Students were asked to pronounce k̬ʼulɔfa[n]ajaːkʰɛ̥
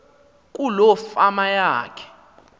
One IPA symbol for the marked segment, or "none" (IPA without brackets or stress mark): m